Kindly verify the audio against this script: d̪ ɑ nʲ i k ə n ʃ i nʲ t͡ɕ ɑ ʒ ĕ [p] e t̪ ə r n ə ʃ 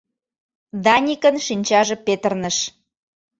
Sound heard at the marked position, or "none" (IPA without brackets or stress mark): p